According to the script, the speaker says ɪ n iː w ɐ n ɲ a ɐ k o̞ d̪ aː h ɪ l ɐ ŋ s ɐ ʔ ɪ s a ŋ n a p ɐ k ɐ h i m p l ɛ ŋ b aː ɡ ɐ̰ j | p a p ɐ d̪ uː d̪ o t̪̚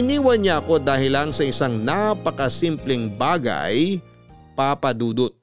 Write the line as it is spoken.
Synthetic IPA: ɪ n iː w ɐ n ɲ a ɐ k o̞ d̪ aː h ɪ l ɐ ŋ s ɐ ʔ ɪ s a ŋ n a p ɐ k ɐ s i m p l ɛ ŋ b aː ɡ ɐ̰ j | p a p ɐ d̪ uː d̪ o t̪̚